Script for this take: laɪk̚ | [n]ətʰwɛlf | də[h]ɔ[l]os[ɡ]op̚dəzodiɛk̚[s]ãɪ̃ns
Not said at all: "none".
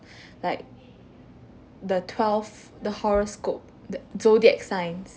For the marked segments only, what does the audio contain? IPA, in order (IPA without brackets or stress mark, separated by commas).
d, h, ɹ, k, s